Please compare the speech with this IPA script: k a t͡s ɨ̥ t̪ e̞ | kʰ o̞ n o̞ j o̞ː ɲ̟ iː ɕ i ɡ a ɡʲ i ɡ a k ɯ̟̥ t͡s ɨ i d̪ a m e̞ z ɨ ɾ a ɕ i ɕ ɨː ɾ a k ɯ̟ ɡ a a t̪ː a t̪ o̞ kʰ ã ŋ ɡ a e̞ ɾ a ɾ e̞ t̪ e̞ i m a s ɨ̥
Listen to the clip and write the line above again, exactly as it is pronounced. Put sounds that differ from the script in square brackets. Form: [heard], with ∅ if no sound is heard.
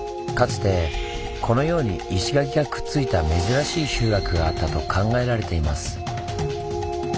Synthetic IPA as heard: k a t͡s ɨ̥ t̪ e̞ | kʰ o̞ n o̞ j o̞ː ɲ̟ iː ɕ i ɡ a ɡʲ i ɡ a k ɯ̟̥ t͡s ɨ i [t̪] a m e̞ z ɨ ɾ a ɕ [iː] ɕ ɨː ɾ a k ɯ̟ ɡ a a t̪ː a t̪ o̞ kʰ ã ŋ ɡ a e̞ ɾ a ɾ e̞ t̪ e̞ i m a s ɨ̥